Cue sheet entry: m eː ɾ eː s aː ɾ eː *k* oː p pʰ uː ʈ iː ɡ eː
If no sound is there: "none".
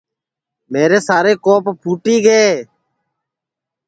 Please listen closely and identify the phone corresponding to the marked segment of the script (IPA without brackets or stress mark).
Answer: k